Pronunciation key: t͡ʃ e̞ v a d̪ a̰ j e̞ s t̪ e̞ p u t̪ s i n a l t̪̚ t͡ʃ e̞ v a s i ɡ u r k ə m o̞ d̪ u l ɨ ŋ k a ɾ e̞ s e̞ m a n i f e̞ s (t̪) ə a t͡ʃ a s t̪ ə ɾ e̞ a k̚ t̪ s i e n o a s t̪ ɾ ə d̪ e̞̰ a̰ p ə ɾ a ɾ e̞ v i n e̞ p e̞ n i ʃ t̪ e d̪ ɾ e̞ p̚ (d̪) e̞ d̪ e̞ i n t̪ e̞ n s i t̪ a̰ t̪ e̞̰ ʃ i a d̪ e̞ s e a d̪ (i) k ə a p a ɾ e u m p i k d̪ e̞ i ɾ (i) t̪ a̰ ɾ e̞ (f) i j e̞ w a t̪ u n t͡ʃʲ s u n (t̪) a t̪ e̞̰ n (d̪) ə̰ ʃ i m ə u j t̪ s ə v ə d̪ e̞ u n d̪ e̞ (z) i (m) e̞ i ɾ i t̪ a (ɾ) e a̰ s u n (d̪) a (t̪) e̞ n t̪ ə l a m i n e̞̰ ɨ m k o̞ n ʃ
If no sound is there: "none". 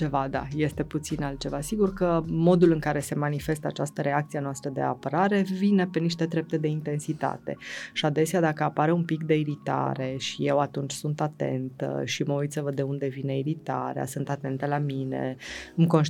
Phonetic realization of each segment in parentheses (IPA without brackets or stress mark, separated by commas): t̪, t̪, a, i, ʃ, t̪, t̪, v, n, ɾ, t̪, t̪